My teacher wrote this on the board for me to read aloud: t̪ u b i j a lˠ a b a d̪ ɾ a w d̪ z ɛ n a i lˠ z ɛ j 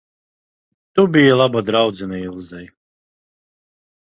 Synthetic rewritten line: t̪ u b i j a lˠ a b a d̪ ɾ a w d̪ z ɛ n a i lˠ z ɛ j